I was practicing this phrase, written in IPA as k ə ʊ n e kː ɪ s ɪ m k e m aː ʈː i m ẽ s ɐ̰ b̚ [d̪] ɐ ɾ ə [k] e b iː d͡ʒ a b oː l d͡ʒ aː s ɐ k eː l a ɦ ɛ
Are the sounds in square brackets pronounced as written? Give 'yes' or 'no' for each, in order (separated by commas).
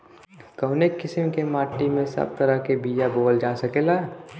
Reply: no, yes